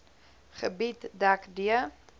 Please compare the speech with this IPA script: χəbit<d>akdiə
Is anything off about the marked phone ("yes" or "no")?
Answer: no